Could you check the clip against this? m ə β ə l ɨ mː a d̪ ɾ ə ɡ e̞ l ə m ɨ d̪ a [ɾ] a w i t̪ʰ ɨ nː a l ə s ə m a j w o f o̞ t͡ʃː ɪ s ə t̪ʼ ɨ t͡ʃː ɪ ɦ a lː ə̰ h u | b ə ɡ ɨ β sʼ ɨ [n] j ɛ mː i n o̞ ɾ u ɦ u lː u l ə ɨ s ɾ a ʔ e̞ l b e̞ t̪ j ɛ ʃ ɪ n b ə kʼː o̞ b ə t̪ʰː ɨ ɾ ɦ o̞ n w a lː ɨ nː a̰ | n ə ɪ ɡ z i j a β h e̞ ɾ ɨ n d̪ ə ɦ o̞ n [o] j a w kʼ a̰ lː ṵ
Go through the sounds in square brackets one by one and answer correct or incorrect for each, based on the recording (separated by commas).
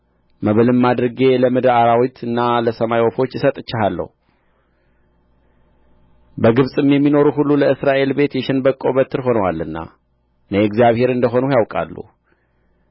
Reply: correct, incorrect, incorrect